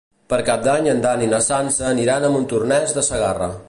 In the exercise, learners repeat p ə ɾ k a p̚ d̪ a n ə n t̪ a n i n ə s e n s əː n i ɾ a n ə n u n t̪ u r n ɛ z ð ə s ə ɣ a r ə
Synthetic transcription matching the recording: p ə ɾ k a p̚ d̪ a ɲ ə n d̪ a n i n ə s a n s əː n i ɾ a n ə m u n t̪ u r n ɛ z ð ə s ə ɣ a r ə

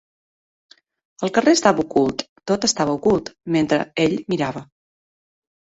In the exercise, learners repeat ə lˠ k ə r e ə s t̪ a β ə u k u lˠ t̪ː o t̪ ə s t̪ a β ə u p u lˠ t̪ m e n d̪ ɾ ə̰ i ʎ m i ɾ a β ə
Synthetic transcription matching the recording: ə lˠ k ə r e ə s t̪ a β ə u k u lˠ t̪ː o t̪ ə s t̪ a β ə u k u lˠ t̪ m e n t̪ ɾ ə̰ e ʎ m i ɾ a β ə

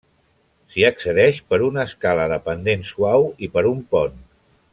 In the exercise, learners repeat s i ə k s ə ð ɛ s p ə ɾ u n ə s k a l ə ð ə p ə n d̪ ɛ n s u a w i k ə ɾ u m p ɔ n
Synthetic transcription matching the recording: s i ə k s ə ð ɛ ʃ p ə ɾ u n ə s k a l ə ð ə p ə n d̪ e n s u a w i p ə ɾ u m p ɔ n

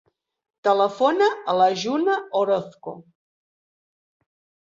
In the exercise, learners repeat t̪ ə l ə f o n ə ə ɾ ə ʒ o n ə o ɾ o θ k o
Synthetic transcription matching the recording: t̪ ə l ə f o n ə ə l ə ʒ u n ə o ɾ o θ k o

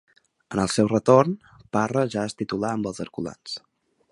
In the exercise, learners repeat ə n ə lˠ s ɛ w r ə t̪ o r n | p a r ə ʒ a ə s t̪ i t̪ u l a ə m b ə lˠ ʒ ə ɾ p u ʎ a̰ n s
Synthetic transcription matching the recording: ə n ə lˠ s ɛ w r ə t̪ o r n | p a r ə ʒ a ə s t̪ i t̪ u l a ə m b ə lˠ z ə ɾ k u l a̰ n s

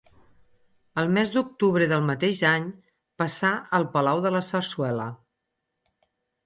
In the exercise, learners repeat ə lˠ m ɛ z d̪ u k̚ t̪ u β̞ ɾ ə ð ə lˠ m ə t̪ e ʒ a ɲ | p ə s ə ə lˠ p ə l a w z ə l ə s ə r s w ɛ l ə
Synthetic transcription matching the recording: ə lˠ m ɛ z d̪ u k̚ t̪ u β̞ ɾ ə ð ə lˠ m ə t̪ e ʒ a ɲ | p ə s a ə lˠ p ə l a w ð ə l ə s ə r s w ɛ l ə

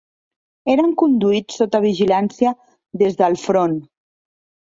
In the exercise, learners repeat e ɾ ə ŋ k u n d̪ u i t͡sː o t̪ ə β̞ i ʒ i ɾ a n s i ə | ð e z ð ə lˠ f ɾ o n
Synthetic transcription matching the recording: e ɾ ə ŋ k u n d̪ u i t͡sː o t̪ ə β̞ i ʒ i l a n s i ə | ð e z ð ə lˠ f ɾ o n

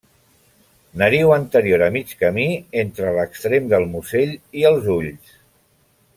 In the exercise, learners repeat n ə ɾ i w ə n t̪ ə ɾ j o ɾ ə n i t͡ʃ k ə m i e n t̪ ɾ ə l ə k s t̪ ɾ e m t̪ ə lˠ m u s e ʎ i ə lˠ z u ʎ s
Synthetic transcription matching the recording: n ə ɾ i w ə n t̪ ə ɾ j o ɾ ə m i t͡ʃ k ə m i e n t̪ ɾ ə l ə k s t̪ ɾ e m d̪ ə lˠ m u s e ʎ i ə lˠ z u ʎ s

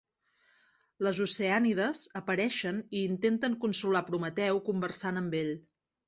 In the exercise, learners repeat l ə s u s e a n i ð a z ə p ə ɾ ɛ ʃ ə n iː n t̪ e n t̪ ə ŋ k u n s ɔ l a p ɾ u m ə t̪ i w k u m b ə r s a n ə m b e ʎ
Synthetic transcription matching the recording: l ə z u s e a n i ð ə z ə p ə ɾ ɛ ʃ ə n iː n t̪ e n t̪ ə ŋ k u n s u l a p ɾ u m ə t̪ ɛ w k u m b ə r s a n ə m b e ʎ

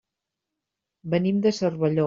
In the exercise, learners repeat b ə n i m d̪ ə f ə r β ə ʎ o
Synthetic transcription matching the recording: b ə n i m d̪ ə s ə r β ə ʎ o

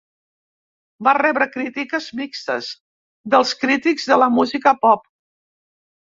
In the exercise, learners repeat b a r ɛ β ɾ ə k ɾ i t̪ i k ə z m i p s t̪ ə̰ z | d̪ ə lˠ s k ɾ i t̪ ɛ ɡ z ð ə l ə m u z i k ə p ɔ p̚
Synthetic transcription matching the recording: b a r ɛ β ɾ ə k ɾ i t̪ i k ə z m i k s t̪ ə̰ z | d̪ ə lˠ s k ɾ i t̪ i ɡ z ð ə l ə m u z i k ə p ɔ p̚

